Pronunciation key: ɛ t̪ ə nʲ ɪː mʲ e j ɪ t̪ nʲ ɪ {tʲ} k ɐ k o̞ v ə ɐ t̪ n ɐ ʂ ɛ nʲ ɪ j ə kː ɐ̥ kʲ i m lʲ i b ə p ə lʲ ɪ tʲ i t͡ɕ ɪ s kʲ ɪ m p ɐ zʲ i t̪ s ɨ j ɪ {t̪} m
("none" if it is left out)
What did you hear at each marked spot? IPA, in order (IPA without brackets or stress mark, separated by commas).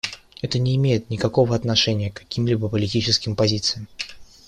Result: none, none